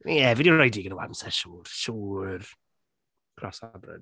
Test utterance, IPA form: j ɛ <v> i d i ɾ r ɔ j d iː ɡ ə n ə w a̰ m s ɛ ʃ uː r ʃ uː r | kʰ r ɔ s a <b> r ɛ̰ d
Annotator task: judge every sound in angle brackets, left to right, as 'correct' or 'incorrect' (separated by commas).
correct, correct